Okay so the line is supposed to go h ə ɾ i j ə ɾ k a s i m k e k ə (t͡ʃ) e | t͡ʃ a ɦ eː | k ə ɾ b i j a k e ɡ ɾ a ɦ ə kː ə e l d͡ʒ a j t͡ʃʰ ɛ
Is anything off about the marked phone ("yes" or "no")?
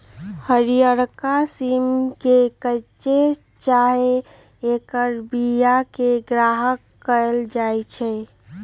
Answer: no